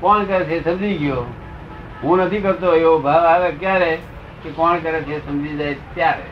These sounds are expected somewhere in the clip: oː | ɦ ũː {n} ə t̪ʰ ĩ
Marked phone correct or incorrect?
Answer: correct